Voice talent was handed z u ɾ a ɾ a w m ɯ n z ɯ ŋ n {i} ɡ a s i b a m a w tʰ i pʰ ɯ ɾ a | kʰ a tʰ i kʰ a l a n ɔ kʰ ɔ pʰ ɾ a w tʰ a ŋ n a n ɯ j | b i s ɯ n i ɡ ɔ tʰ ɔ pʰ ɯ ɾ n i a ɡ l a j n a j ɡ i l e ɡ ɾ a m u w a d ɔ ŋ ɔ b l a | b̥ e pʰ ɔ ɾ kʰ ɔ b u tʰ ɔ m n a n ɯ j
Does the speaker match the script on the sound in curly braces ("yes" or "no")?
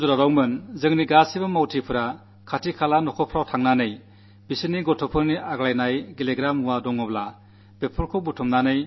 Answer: yes